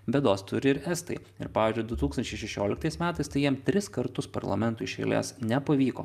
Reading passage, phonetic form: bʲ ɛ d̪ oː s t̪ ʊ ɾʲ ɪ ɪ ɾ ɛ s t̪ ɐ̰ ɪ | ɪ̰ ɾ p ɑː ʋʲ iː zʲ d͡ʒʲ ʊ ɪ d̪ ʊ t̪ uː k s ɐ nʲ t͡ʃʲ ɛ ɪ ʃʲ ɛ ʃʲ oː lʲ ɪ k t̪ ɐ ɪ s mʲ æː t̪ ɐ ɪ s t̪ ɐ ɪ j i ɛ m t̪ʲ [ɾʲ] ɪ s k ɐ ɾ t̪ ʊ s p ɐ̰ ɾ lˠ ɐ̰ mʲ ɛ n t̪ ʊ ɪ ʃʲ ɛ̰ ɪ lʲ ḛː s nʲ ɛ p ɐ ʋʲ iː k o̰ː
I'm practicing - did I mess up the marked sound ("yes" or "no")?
no